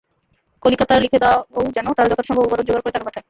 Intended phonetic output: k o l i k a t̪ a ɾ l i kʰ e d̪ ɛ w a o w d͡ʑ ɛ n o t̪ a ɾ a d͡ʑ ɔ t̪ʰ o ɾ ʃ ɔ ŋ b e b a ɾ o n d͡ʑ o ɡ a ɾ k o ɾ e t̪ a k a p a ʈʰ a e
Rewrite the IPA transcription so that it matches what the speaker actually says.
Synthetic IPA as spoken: k o l i k a t̪ a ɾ l i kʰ e d̪ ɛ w a o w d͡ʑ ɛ n o t̪ a ɾ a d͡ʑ ɔ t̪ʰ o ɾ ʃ ɔ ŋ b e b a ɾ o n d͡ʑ o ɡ a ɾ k o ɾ e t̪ a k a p a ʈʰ a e